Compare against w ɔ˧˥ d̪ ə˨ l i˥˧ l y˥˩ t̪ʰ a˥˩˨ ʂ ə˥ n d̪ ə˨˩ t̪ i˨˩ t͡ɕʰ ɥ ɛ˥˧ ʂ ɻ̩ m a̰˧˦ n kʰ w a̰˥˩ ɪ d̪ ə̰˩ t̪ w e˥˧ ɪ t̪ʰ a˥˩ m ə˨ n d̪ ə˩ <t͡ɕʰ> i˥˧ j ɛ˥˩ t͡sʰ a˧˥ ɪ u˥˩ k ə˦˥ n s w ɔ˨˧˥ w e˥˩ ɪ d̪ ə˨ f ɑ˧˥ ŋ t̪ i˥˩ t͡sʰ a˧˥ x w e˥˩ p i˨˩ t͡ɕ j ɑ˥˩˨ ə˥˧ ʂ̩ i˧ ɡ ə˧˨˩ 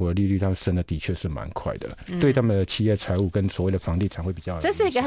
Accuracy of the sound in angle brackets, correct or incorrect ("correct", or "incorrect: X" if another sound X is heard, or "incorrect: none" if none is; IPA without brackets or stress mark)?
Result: correct